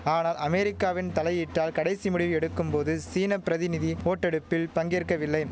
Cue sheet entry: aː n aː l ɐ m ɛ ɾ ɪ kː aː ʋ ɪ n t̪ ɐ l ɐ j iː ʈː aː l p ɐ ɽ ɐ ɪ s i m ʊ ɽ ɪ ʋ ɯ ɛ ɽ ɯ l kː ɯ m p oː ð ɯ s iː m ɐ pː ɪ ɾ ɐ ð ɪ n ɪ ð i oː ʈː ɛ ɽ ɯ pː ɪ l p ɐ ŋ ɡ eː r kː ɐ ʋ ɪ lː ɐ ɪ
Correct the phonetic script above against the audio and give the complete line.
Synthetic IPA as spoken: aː n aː l ɐ m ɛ ɾ ɪ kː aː ʋ ɪ n t̪ ɐ l ɐ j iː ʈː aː l k ɐ ɽ ɐ ɪ s i m ʊ ɽ ɪ ʋ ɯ ɛ ɽ ɯ kː ɯ m p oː ð ɯ s iː n ɐ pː ɪ ɾ ɐ ð ɪ n ɪ ð i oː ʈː ɛ ɽ ɯ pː ɪ l p ɐ ŋ ɡ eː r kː ɐ ʋ ɪ lː ɐ ɪ